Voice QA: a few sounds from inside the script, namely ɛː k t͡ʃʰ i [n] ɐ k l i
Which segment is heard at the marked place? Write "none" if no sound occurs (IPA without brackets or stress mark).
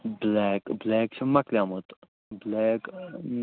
m